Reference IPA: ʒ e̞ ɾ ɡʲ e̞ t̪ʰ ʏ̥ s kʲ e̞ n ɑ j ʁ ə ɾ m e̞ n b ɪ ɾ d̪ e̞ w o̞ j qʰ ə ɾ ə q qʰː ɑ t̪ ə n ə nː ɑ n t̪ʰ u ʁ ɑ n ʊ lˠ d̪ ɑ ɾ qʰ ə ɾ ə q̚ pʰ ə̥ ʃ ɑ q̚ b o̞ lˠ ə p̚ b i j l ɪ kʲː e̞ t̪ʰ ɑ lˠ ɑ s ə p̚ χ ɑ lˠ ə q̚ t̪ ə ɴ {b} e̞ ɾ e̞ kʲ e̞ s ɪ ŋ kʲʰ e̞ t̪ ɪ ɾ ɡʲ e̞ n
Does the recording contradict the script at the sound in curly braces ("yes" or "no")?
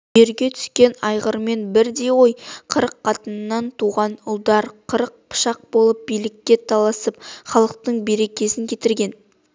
no